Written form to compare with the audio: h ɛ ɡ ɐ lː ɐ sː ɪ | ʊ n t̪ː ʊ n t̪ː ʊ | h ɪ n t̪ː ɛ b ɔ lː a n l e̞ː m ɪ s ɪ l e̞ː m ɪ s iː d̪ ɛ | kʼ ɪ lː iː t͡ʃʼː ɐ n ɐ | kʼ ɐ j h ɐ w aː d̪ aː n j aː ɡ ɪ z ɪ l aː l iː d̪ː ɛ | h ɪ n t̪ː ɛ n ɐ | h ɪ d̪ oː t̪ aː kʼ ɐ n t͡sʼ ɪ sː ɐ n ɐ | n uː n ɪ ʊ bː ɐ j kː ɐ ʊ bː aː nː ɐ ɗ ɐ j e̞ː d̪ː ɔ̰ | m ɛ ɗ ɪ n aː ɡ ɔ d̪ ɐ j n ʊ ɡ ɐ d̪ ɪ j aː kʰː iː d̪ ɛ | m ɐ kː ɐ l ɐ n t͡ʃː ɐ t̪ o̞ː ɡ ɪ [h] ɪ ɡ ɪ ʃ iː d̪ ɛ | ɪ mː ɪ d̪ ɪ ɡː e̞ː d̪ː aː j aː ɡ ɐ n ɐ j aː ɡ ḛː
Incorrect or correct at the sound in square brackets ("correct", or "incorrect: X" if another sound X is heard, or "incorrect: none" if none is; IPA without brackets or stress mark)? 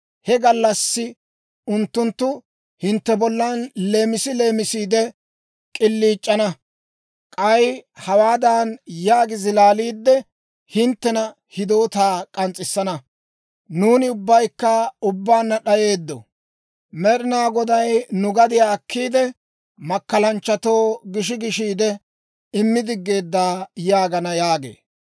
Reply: incorrect: ʃ